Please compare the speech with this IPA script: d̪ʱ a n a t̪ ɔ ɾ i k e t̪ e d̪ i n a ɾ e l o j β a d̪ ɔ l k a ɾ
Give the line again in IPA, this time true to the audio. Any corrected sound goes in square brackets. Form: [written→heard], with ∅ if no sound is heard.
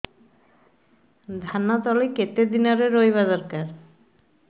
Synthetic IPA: d̪ʱ a n a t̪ ɔ [ɾ→l] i k e t̪ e d̪ i n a ɾ e [l→ɾ] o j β a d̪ ɔ [l→ɾ] k a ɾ